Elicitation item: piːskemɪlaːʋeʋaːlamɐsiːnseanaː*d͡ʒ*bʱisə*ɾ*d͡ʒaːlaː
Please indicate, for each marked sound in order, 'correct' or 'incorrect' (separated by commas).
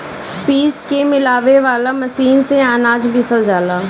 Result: correct, incorrect